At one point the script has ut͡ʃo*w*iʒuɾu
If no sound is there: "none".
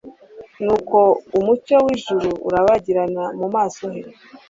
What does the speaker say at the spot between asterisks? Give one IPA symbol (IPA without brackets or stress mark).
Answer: w